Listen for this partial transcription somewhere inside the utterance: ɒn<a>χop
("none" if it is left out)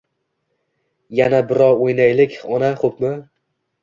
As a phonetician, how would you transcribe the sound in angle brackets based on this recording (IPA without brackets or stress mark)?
a